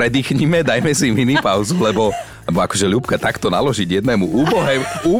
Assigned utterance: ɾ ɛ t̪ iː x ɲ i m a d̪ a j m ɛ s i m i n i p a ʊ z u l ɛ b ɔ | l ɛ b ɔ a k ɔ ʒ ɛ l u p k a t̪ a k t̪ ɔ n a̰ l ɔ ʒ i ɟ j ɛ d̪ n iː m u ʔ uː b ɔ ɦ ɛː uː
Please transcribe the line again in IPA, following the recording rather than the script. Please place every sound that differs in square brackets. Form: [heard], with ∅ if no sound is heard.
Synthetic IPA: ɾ ɛ [d̪] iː x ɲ i m [ɛ] d̪ a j m ɛ s i m i n i p a ʊ z u l ɛ b ɔ | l ɛ b ɔ a k ɔ ʒ ɛ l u p k a t̪ a k t̪ ɔ n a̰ l ɔ ʒ i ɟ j ɛ d̪ n [ɛː] m u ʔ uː b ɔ ɦ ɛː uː